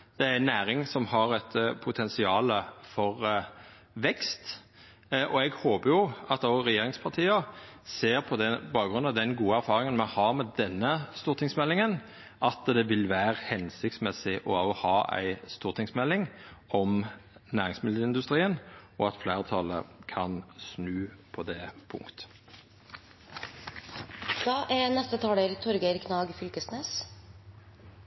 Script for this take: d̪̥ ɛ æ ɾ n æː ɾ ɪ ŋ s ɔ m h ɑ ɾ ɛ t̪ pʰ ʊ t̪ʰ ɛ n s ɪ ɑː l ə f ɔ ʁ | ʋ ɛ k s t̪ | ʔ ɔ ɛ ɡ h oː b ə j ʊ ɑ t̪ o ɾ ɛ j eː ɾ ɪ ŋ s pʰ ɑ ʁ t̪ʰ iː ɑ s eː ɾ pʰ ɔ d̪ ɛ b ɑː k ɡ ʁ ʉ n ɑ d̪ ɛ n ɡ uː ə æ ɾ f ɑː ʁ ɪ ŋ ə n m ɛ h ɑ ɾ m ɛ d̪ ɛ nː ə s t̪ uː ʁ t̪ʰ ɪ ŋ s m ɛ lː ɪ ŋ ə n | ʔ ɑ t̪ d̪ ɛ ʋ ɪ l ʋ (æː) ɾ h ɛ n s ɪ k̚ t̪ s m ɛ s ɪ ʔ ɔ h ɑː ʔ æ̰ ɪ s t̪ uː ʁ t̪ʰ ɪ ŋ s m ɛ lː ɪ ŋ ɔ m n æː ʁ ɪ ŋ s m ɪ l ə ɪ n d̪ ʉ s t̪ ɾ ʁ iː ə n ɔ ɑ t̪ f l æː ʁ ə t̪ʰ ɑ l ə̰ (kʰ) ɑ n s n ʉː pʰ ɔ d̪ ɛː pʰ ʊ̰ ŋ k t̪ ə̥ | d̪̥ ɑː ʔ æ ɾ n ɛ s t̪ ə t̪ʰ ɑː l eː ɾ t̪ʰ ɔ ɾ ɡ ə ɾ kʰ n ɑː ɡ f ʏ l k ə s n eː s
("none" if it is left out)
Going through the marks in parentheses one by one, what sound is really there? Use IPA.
æː, kʰ

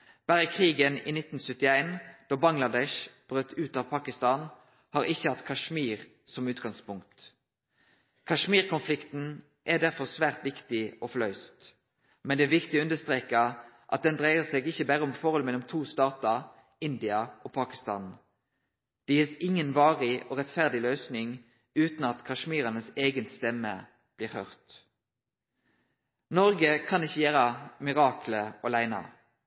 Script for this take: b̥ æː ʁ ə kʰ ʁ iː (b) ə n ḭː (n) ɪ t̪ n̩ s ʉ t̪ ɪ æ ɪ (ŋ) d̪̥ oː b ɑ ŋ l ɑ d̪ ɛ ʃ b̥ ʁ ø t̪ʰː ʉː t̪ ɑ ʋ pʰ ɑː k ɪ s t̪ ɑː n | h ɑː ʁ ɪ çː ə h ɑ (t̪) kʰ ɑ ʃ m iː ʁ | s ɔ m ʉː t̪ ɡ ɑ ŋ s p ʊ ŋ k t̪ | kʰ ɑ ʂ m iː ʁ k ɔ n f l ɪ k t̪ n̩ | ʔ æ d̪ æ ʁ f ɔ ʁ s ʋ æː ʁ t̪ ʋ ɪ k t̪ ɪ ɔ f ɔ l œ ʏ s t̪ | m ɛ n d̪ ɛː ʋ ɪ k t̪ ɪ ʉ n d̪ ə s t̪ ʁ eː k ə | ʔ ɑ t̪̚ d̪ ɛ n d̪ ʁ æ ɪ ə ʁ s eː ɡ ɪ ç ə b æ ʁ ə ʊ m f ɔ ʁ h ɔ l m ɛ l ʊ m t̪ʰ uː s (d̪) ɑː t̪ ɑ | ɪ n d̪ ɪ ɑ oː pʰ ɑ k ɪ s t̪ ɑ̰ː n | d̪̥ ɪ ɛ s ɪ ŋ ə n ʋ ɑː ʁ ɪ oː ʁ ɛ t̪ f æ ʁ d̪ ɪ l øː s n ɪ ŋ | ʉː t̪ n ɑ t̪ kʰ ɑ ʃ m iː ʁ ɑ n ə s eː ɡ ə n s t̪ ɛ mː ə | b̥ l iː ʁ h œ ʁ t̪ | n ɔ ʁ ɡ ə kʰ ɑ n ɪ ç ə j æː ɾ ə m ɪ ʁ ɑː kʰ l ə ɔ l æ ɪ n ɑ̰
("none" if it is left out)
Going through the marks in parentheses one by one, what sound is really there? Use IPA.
ɡ, n, n, t̪, t̪

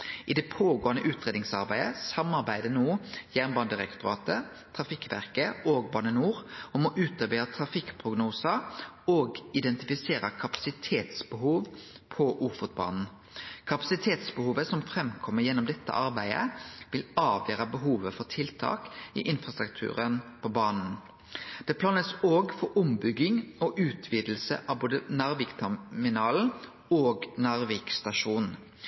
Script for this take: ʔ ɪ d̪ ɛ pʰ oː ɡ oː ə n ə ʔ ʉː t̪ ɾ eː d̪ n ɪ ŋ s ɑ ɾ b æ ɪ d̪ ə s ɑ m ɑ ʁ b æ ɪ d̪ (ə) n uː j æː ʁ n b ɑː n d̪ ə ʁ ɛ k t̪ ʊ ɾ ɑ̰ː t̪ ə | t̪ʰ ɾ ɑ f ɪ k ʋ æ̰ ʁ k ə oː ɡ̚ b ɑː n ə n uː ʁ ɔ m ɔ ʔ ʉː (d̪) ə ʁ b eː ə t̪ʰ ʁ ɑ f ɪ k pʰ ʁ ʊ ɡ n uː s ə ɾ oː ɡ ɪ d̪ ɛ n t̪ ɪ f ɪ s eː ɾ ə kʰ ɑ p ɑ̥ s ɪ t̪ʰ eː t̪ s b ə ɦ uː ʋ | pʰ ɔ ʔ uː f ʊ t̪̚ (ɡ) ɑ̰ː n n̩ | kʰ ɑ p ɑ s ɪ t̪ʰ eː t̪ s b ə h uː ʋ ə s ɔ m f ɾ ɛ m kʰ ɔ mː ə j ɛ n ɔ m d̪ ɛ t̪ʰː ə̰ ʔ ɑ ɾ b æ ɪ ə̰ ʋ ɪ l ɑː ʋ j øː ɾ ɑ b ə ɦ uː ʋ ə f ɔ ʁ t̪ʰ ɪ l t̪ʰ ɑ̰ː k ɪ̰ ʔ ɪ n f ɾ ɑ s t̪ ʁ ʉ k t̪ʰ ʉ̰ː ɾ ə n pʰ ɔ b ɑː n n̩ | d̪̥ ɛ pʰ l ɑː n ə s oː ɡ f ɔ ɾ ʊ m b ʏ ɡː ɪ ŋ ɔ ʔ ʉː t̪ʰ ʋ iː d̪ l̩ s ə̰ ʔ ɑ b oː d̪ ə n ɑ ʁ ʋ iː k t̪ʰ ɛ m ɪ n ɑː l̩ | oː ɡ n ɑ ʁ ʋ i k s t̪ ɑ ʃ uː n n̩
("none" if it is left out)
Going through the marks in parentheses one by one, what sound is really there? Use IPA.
ə, t̪, b

